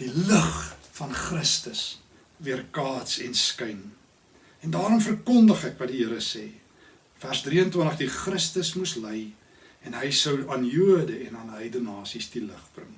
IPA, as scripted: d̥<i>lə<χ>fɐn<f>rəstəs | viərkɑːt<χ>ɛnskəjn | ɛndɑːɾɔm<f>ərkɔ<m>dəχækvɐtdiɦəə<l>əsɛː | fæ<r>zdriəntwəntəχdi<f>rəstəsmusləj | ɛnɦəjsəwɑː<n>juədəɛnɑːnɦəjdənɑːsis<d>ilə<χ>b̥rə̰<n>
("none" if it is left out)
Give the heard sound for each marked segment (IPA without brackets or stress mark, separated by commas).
i, χ, χ, s, f, n, ɾ, r, χ, n, d, χ, ŋ